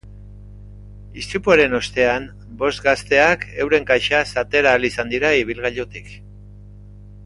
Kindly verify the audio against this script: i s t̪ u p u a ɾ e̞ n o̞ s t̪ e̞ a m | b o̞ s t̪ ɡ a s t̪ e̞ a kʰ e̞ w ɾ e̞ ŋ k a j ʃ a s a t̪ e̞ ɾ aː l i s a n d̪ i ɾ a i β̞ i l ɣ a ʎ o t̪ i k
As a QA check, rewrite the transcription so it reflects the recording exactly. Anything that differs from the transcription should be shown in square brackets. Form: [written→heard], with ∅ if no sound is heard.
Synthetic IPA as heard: i s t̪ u p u a ɾ e̞ n o̞ s t̪ e̞ a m | b o̞ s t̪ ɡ a s t̪ e̞ a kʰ e̞ w ɾ e̞ ŋ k a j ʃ a s a t̪ e̞ ɾ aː l i s a n d̪ i ɾ a i β̞ i l ɣ a ʎ o t̪ i k